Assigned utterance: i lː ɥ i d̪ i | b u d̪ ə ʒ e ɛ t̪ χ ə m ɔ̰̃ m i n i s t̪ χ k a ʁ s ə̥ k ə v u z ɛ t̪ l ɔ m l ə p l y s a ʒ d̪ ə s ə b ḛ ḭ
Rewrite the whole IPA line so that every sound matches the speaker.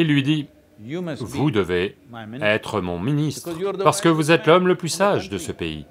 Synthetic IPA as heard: i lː ɥ i d̪ i | v u d̪ ə v e ɛ t̪ χ ə m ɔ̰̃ m i n i s t̪ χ p a ʁ s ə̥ k ə v u z ɛ t̪ l ɔ m l ə p l y s a ʒ d̪ ə s ə p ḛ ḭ